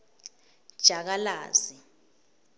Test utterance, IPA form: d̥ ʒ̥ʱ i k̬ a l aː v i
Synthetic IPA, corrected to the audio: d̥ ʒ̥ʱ a k̬ a l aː z i